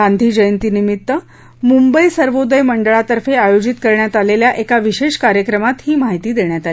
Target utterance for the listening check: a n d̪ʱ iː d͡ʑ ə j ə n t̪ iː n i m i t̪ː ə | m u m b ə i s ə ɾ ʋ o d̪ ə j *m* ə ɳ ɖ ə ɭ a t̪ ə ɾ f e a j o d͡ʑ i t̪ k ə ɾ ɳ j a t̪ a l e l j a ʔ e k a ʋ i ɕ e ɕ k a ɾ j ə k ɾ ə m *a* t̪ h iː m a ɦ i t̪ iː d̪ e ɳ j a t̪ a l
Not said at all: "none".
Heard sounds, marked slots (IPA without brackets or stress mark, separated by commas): m, a